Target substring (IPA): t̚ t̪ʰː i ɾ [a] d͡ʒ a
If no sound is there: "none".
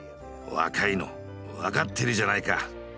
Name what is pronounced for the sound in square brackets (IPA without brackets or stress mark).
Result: i